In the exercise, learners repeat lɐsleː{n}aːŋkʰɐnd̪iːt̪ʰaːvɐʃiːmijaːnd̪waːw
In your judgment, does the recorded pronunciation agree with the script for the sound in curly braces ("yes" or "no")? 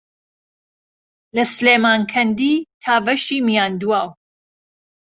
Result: no